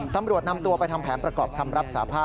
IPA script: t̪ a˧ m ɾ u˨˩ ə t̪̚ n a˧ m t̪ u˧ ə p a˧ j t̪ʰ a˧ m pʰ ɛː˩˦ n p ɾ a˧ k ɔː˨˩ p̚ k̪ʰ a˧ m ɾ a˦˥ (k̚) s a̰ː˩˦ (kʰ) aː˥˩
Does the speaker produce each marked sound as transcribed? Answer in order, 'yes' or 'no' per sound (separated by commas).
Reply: no, no